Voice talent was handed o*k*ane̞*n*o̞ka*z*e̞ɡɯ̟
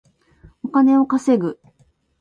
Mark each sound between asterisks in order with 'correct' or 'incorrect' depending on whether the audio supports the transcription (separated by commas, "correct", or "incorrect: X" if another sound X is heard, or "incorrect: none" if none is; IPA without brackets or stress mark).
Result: correct, incorrect: none, incorrect: s